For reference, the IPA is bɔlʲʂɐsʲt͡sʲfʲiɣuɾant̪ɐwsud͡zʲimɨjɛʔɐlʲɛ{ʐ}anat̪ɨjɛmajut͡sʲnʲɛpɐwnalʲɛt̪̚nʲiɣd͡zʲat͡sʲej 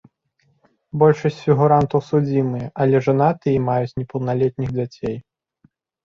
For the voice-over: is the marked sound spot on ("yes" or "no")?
yes